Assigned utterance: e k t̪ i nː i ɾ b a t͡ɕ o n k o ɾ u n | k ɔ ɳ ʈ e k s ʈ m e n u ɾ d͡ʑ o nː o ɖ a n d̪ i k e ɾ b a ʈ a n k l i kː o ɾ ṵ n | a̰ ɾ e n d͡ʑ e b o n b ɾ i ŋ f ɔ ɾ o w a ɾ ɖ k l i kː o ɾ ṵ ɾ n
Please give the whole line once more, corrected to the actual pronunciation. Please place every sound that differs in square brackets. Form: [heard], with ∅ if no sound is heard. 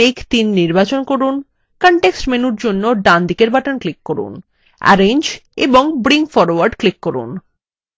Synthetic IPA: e k t̪ i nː i ɾ b a t͡ɕ o n k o ɾ u n | k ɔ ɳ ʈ e k s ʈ m e n u ɾ d͡ʑ o nː o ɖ a n d̪ i k e ɾ b a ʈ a n k l i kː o ɾ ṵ n | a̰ ɾ e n d͡ʑ e b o [ŋ] b ɾ i ŋ f ɔ ɾ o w a ɾ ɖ k l i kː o ɾ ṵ [∅] n